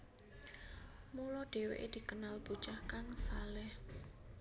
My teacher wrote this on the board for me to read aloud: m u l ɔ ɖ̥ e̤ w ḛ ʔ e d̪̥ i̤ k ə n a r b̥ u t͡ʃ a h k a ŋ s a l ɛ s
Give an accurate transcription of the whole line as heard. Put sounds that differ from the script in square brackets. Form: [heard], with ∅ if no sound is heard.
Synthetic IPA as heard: m u l ɔ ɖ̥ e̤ w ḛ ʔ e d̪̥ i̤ k ə n a [l] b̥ u t͡ʃ a h k a ŋ s a l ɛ [h]